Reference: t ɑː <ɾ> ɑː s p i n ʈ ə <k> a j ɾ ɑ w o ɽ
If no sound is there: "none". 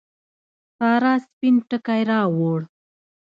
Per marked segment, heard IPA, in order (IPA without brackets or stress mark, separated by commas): ɾ, k